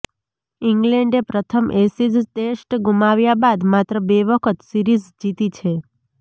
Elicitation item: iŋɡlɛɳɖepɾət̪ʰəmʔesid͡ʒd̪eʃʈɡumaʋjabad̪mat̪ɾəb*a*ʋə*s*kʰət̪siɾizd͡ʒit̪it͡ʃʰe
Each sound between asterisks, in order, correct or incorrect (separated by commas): incorrect, incorrect